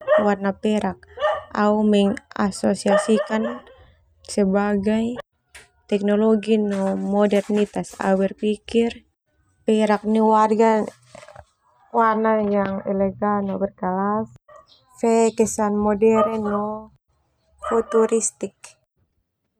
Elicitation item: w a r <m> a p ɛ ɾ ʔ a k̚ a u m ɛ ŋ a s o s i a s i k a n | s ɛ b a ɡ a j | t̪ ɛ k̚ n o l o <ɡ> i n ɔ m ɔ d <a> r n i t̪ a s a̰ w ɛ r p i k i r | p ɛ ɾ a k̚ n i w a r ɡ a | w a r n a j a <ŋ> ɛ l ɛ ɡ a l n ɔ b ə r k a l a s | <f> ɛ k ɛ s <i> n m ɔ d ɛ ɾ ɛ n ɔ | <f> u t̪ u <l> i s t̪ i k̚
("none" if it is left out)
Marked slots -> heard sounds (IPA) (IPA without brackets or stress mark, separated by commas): n, ɡ, ɛ, ŋ, f, a, f, ɾ